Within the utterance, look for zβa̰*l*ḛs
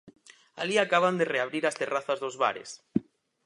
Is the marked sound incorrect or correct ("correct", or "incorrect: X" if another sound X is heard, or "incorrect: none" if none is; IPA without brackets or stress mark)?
incorrect: ɾ